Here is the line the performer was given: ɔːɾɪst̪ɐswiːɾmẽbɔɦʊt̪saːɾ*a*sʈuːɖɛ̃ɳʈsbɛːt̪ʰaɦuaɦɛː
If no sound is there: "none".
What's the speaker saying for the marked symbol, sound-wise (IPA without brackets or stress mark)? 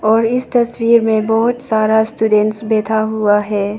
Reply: a